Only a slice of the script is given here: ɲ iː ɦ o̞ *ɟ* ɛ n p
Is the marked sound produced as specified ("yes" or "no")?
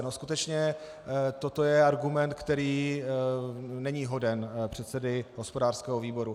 no